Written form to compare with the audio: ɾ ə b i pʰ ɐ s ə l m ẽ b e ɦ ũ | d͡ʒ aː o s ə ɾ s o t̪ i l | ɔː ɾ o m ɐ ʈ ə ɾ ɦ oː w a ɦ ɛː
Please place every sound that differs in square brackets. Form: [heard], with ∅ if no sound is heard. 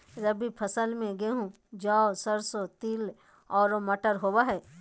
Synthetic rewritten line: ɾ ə b i pʰ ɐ s ə l m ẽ [ɡ] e ɦ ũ | d͡ʒ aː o s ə ɾ s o t̪ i l | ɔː ɾ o m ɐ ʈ ə ɾ ɦ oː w a ɦ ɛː